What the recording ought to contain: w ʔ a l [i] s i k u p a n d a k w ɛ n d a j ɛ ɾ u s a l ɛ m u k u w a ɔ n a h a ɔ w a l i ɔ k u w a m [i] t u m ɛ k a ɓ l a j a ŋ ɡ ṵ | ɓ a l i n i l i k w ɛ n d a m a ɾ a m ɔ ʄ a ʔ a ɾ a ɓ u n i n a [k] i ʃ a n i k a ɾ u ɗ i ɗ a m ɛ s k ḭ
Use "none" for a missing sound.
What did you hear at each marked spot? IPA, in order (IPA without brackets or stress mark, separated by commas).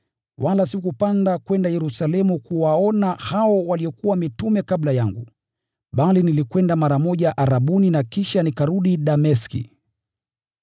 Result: a, i, k